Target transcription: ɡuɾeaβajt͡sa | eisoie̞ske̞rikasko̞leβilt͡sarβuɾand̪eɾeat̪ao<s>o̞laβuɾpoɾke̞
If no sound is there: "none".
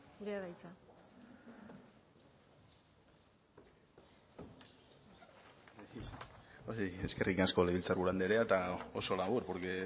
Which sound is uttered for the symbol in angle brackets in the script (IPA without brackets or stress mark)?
s